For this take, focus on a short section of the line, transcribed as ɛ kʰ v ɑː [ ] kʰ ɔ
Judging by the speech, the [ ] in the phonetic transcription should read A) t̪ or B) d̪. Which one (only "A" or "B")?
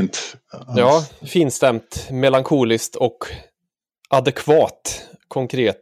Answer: A